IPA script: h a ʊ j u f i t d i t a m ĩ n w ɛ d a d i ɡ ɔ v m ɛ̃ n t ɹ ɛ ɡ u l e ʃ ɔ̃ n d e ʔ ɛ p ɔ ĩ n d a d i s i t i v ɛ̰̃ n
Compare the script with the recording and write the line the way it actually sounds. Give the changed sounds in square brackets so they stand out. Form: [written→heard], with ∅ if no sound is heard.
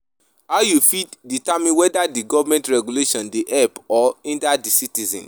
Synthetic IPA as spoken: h a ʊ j u f i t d i t a m ĩ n w ɛ d a d i ɡ ɔ v m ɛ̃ n t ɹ ɛ ɡ u l e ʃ ɔ̃ n d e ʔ ɛ p ɔ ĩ n d a d i s i t i [v→z] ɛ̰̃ n